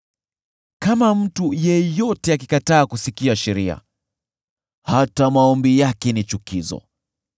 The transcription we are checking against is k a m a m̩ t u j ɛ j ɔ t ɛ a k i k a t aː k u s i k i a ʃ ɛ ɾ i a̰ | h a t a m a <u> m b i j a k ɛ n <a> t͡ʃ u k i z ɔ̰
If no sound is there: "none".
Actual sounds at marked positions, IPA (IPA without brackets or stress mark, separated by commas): ɔ, i